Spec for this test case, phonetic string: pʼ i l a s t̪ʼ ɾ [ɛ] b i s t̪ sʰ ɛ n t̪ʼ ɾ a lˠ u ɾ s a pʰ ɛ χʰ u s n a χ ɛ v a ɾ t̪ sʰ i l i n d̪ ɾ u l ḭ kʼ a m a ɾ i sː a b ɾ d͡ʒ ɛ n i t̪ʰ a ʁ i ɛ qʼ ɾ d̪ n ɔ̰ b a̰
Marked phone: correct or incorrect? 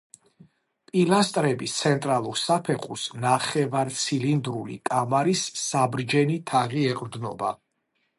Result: correct